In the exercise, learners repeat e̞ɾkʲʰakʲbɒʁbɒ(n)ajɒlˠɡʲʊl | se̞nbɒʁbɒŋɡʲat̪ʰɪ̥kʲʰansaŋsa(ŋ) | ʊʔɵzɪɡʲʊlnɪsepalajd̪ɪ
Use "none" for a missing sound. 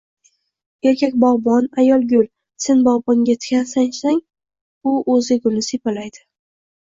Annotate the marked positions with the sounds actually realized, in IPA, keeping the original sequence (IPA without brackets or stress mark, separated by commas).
n, ŋ